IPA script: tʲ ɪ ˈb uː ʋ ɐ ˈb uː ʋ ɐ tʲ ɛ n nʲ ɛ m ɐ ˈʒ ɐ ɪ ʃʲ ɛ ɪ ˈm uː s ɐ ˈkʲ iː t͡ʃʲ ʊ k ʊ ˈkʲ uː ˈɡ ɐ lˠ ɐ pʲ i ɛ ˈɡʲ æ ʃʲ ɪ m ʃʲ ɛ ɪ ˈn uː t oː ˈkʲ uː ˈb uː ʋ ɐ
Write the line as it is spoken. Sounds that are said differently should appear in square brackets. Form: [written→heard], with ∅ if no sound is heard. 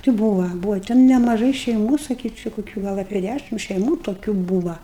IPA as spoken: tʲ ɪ ˈb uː ʋ ɐ ˈb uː ʋ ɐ tʲ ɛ n nʲ ɛ m ɐ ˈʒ ɐ ɪ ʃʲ ɛ ɪ ˈm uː s ɐ ˈkʲ iː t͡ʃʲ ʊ k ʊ ˈkʲ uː ˈɡ ɐ lˠ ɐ pʲ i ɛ [ˈɡʲ→ˈdʲ] æ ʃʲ ɪ m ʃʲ ɛ ɪ [ˈn→ˈm] uː t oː ˈkʲ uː ˈb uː ʋ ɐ